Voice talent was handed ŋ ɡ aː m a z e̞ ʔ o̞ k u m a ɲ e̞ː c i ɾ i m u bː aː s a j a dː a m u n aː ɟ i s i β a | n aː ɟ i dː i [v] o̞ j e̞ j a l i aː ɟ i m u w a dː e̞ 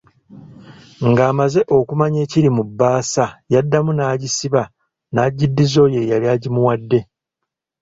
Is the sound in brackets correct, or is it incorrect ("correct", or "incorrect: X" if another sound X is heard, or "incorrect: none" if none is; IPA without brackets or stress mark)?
incorrect: z